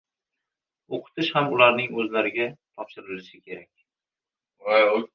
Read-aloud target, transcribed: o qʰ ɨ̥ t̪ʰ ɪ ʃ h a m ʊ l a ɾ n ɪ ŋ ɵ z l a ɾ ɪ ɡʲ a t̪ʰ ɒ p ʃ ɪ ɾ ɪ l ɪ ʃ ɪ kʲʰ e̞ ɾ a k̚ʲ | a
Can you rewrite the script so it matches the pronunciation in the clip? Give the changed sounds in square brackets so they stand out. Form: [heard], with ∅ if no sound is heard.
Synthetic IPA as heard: o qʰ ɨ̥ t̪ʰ ɪ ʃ h a m ʊ l a ɾ n ɪ ŋ ɵ z l a ɾ ɪ ɡʲ a t̪ʰ ɒ p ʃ ɪ ɾ ɪ l ɪ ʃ ɪ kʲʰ e̞ ɾ a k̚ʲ | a

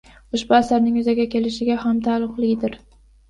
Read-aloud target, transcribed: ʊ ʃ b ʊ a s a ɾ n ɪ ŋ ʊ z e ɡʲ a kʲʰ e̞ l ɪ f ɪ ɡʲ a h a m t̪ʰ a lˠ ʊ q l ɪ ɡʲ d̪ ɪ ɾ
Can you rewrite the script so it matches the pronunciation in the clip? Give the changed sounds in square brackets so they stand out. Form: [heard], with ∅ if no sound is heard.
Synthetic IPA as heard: ʊ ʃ b ʊ a s a ɾ n ɪ ŋ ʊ z [a] ɡʲ a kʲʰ e̞ l ɪ [ʃ] ɪ ɡʲ a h a m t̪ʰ a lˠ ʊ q l ɪ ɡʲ d̪ ɪ ɾ

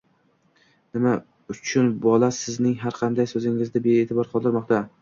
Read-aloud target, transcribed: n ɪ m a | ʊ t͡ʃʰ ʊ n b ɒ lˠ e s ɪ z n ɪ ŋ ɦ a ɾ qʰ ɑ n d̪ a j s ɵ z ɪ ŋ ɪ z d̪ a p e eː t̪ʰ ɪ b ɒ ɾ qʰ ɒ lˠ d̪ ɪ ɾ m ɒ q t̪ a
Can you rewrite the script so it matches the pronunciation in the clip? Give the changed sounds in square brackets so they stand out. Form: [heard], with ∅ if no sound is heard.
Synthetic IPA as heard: n ɪ m a | ʊ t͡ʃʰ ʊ n b ɒ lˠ [a] s ɪ z n ɪ ŋ ɦ a ɾ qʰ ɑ n d̪ a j s ɵ z ɪ ŋ ɪ z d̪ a [b] e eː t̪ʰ ɪ b ɒ ɾ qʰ ɒ lˠ d̪ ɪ ɾ m ɒ q t̪ a

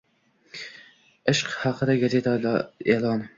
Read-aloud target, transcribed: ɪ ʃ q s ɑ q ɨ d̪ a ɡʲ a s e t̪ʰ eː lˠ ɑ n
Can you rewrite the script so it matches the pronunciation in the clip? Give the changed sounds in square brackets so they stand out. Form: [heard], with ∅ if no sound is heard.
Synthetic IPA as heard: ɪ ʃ q [h] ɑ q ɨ d̪ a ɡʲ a [z] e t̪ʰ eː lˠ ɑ n

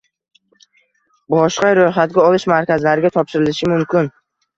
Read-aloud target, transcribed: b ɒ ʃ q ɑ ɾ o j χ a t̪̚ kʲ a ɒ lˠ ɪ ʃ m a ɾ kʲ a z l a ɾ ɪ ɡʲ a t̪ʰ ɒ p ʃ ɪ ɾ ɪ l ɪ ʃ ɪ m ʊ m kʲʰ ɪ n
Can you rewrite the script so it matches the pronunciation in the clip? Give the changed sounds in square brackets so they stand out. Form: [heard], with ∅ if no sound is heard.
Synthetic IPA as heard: b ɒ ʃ q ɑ ɾ o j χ a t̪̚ [ɡʲ] a ɒ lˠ ɪ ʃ m a ɾ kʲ a z l a ɾ ɪ ɡʲ a t̪ʰ ɒ p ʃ ɪ ɾ ɪ l ɪ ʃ ɪ m ʊ m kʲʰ ɪ n

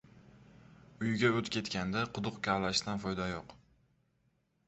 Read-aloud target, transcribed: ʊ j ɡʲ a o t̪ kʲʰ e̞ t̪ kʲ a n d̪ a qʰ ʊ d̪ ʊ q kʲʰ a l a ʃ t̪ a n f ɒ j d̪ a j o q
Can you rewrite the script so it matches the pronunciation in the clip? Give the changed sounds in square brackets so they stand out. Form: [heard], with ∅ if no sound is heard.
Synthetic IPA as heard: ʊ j ɡʲ a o t̪ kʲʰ e̞ t̪ kʲ a n d̪ a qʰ ʊ d̪ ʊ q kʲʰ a l a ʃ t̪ a n f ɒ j d̪ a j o q

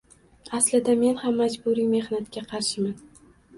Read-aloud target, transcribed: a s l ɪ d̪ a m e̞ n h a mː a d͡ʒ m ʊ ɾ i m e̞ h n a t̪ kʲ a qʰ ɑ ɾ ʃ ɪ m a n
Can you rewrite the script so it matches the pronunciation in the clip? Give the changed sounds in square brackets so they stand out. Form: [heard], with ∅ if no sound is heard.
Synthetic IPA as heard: a s l ɪ d̪ a m e̞ n h a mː a d͡ʒ [b] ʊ ɾ i m e̞ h n a t̪ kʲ a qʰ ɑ ɾ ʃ ɪ m a n

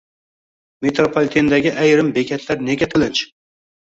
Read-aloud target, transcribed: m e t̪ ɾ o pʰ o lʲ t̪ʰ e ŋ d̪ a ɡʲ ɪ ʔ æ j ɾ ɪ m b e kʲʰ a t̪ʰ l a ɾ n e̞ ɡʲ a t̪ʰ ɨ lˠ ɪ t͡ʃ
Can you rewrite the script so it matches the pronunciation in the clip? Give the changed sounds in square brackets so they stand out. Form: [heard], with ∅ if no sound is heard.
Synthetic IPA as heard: m e t̪ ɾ o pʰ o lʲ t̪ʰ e [n] d̪ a ɡʲ ɪ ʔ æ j ɾ ɪ m b e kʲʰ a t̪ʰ l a ɾ n e̞ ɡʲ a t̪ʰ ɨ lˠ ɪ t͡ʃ

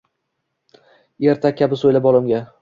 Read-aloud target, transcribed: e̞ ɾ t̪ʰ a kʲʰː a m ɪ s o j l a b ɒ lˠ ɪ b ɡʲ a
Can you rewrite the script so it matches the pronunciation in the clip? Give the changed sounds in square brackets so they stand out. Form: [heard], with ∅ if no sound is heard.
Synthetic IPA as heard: e̞ ɾ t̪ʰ a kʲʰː a [b] ɪ s o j l a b ɒ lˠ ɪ [m] ɡʲ a

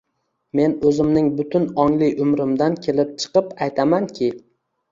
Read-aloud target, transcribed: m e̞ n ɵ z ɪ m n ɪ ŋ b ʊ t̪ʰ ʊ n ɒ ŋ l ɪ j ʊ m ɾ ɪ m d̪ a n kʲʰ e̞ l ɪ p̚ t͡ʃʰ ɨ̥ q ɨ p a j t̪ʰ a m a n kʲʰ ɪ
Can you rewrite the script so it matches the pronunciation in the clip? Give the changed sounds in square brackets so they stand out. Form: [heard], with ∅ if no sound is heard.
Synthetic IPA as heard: m e̞ n ɵ z ɪ m n ɪ ŋ b ʊ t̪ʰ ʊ n ɒ ŋ l ɪ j ʊ m ɾ ɪ m d̪ a n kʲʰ e̞ l ɪ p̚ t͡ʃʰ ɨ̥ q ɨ p a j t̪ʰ a m a n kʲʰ ɪ

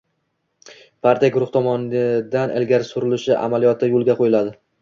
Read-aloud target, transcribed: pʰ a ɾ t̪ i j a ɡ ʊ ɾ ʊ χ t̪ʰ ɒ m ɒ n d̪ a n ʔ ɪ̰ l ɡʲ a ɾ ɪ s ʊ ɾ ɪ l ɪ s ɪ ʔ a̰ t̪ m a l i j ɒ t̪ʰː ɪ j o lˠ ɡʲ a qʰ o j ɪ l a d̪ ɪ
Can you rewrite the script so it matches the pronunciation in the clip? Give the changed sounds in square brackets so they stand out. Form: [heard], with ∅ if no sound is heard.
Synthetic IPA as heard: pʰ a ɾ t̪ i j a ɡ ʊ ɾ ʊ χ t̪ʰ ɒ m ɒ n d̪ a n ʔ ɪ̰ l ɡʲ a ɾ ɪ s ʊ ɾ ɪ l ɪ [ʃ] ɪ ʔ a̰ [∅] m a l i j ɒ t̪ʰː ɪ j o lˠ ɡʲ a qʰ o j ɪ l a d̪ ɪ

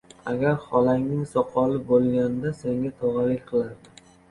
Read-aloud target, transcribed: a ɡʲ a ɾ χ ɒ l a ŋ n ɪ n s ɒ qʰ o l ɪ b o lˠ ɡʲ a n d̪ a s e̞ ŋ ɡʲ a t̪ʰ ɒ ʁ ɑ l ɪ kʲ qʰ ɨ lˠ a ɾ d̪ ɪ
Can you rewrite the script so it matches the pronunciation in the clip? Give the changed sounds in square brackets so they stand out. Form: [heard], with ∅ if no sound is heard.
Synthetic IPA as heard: a ɡʲ a ɾ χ ɒ l a ŋ n ɪ [ŋ] s ɒ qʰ [ɒ] l ɪ b o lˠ ɡʲ a n d̪ a s e̞ ŋ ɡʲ a t̪ʰ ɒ ʁ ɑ l ɪ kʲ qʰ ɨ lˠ a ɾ d̪ ɪ

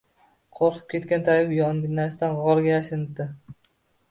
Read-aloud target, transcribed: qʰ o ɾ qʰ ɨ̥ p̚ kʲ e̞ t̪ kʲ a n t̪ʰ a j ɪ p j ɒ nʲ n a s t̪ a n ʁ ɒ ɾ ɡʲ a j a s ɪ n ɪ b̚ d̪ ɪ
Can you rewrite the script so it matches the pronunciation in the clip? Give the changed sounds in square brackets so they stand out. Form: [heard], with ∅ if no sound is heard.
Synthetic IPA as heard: qʰ o ɾ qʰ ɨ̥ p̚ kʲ e̞ t̪ kʲ a n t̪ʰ a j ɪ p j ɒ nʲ n a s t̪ a n ʁ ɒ ɾ ɡʲ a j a [ʃ] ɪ n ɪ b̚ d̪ ɪ

